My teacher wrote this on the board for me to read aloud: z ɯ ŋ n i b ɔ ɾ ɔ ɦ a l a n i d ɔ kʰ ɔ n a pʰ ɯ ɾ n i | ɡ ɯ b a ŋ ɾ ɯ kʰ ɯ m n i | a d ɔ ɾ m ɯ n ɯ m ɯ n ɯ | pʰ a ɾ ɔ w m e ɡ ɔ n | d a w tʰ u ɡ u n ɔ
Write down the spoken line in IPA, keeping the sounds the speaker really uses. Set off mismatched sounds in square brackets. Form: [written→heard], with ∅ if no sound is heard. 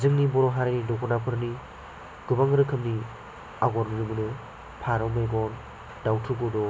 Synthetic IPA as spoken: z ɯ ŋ n i b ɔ ɾ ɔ ɦ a [l→ɾ] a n i d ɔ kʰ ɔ n a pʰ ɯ ɾ n i | ɡ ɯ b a ŋ ɾ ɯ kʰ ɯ m n i | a [d→ɡ] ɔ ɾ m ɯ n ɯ m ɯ n ɯ | pʰ a ɾ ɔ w m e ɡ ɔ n | d a w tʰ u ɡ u [n→d] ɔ